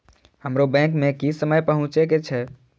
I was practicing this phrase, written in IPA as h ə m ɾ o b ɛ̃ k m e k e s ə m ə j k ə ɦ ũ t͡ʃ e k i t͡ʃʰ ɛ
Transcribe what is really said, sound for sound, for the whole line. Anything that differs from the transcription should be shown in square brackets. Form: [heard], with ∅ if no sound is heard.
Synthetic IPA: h ə m ɾ o b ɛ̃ k m e k [i] s ə m ə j [p] ə ɦ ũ t͡ʃ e k [e] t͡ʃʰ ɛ